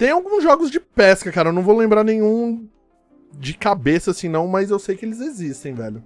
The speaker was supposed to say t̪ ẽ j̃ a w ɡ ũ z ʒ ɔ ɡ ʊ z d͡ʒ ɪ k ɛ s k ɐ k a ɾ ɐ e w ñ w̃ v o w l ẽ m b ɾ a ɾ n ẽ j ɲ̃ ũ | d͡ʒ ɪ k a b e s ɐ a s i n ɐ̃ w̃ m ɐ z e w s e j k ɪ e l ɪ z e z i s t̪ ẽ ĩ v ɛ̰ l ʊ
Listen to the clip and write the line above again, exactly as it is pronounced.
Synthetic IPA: t̪ ẽ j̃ a w ɡ ũ z ʒ ɔ ɡ ʊ z d͡ʒ ɪ p ɛ s k ɐ k a ɾ ɐ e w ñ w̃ v o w l ẽ m b ɾ a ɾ n ẽ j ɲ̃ ũ | d͡ʒ ɪ k a b e s ɐ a s ĩ n ɐ̃ w̃ m ɐ z e w s e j k ɪ e l ɪ z e z i s t̪ ẽ j̃ v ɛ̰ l ʊ